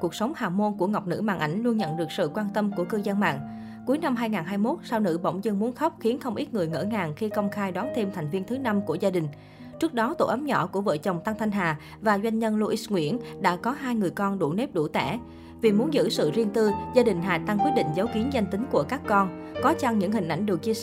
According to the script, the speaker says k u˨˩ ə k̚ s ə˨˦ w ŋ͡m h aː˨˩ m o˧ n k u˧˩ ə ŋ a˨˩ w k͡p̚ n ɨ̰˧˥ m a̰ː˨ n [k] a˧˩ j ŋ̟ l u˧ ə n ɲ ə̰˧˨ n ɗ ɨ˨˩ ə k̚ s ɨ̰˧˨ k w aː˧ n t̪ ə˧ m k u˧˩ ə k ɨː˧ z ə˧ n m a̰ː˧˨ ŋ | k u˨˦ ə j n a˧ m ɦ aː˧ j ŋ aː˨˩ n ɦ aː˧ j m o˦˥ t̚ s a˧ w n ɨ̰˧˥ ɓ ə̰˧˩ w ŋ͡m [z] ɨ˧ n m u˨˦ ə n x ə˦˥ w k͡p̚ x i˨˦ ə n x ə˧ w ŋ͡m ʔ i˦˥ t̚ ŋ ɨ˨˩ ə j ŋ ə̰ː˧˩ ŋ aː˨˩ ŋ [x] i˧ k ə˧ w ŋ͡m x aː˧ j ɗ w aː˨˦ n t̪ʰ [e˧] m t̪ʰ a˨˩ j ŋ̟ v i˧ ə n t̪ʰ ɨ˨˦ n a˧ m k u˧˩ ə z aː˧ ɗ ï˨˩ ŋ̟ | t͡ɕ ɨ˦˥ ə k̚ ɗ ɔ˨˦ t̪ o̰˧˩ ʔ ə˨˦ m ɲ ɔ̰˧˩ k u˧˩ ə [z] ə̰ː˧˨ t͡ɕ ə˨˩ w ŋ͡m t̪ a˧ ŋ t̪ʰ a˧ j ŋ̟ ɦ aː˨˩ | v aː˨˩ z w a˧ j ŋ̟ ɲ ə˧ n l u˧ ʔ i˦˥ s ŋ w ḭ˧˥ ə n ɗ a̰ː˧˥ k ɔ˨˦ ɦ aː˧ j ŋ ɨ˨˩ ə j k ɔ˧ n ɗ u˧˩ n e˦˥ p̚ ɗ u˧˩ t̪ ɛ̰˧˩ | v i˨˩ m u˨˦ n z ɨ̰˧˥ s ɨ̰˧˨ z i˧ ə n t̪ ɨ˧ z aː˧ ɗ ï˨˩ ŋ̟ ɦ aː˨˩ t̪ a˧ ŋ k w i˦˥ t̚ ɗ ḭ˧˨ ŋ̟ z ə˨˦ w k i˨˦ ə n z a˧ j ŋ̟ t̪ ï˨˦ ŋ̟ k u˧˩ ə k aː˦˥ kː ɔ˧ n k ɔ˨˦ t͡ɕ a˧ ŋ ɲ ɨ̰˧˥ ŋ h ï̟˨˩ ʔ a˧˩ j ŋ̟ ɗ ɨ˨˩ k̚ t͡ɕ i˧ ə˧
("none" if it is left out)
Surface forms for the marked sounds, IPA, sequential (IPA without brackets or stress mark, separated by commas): ʔ, z, x, e˧, v